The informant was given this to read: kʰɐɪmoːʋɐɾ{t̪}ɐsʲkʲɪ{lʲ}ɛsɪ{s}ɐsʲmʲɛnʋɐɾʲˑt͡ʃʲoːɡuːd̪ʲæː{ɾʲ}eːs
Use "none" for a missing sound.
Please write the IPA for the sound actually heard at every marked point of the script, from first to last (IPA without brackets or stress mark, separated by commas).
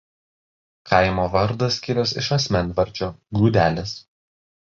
d̪, ɾʲ, ʃ, lʲ